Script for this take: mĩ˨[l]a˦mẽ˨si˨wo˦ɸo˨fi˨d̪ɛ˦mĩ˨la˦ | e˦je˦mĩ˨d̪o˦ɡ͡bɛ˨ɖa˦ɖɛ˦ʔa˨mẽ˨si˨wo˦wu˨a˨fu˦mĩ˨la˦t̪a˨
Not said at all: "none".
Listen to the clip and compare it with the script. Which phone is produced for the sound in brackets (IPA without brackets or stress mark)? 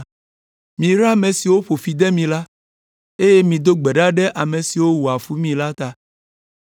ɾ